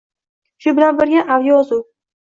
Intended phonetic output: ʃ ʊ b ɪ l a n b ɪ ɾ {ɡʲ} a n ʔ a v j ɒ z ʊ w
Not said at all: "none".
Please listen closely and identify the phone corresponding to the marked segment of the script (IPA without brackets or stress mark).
ɡʲ